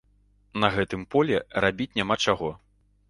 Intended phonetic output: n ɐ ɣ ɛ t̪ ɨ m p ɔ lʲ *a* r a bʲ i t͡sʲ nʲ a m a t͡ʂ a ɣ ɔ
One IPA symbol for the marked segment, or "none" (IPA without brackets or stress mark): ɛ